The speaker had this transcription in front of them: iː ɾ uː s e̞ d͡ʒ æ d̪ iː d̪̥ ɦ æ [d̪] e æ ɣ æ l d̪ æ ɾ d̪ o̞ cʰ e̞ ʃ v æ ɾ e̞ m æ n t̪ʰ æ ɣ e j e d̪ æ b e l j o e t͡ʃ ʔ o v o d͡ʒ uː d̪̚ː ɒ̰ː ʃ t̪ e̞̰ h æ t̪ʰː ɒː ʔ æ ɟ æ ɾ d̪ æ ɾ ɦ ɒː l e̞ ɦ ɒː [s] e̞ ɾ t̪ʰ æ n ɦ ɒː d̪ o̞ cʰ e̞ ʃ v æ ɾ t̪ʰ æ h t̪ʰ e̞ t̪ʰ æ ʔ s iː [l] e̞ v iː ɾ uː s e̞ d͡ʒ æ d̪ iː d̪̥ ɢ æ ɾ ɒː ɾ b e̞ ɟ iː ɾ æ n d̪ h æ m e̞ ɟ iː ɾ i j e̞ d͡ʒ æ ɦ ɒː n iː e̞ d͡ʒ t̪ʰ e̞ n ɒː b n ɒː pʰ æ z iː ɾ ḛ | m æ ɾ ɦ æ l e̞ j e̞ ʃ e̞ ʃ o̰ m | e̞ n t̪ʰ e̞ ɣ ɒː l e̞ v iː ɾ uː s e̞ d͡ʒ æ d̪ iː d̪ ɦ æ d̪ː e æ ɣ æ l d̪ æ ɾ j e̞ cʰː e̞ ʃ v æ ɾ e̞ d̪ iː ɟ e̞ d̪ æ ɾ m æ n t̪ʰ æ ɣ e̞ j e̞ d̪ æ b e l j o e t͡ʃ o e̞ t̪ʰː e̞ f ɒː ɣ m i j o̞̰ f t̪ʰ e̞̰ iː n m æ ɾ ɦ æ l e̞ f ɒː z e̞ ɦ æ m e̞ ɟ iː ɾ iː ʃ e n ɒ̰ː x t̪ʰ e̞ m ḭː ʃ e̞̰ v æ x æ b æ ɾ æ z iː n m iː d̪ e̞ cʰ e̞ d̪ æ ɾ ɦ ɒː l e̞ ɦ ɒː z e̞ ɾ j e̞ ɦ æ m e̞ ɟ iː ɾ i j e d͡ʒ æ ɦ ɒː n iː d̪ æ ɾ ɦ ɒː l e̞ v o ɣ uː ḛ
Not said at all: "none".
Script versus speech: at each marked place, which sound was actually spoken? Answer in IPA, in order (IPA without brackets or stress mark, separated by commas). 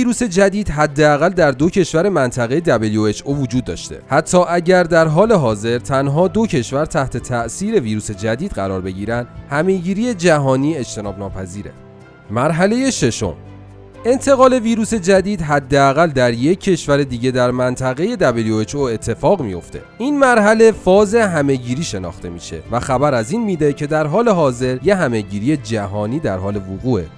d̪ː, z, ɾ